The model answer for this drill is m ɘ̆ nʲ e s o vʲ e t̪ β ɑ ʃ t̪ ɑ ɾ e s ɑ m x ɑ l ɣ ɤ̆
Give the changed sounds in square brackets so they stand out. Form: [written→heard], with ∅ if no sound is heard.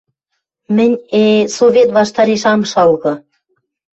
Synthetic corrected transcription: m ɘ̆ nʲ e s o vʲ e t̪ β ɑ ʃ t̪ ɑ ɾ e [s→ʃ] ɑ m [x→ʃ] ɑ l ɣ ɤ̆